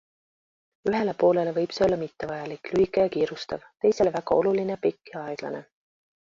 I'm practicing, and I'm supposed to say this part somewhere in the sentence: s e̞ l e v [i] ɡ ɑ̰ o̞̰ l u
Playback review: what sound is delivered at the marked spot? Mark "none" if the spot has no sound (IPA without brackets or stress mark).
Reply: æ